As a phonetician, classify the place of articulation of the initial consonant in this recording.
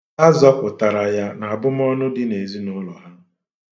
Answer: alveolar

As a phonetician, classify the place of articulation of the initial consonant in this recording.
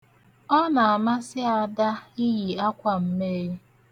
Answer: alveolar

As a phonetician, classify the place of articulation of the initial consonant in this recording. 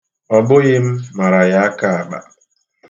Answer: labial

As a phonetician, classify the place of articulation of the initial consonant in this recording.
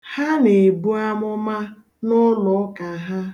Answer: glottal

